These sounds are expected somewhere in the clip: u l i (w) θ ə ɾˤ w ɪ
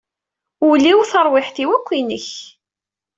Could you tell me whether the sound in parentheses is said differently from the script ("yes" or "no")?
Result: no